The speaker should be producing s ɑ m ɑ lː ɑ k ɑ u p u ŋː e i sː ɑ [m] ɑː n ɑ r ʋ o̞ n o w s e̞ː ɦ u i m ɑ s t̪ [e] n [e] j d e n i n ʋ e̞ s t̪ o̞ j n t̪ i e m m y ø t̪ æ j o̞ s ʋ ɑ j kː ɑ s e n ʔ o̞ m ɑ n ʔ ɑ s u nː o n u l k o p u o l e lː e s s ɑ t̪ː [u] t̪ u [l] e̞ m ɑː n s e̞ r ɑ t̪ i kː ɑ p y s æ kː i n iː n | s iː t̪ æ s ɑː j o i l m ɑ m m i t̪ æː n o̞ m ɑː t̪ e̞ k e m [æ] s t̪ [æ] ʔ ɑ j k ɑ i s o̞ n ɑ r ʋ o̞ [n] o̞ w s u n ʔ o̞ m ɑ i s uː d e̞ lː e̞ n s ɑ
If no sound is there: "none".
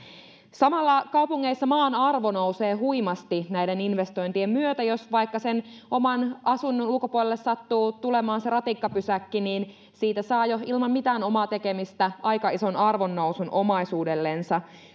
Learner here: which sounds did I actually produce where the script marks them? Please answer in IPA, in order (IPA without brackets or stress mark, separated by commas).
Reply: m, i, æ, uː, l, i, æ, nː